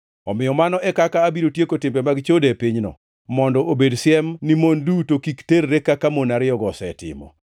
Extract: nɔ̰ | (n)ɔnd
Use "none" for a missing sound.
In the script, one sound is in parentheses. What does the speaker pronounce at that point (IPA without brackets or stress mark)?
m